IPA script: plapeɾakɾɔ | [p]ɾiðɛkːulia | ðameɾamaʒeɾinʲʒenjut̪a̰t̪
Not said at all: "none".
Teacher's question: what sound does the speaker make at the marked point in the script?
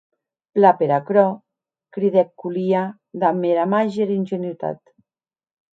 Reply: k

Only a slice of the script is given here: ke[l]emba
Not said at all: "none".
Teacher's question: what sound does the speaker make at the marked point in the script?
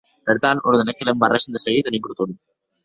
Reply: l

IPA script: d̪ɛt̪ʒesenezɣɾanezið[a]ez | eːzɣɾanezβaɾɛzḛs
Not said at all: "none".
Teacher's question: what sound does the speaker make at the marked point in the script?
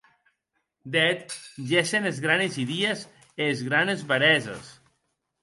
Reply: i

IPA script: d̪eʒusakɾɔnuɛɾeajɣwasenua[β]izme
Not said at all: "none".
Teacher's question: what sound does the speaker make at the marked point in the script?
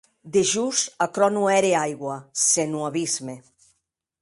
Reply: β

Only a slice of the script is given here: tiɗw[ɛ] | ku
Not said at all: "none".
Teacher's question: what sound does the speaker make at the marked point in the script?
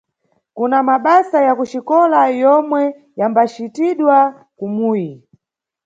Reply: a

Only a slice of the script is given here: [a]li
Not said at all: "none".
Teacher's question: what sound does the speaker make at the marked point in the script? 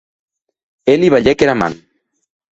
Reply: e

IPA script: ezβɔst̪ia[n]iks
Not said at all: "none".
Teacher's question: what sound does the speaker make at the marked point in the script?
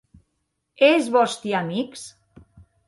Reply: m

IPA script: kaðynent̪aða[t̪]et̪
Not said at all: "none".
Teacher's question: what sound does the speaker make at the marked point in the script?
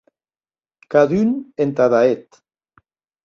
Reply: none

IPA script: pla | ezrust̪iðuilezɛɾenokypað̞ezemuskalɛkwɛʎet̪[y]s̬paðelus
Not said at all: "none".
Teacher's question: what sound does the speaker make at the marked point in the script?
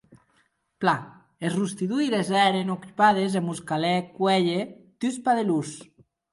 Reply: y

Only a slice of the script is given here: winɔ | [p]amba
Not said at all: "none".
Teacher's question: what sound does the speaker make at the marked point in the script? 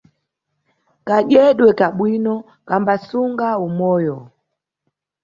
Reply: k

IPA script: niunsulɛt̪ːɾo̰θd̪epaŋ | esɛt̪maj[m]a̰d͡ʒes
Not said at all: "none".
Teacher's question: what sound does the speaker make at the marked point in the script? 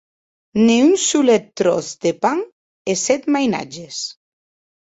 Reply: n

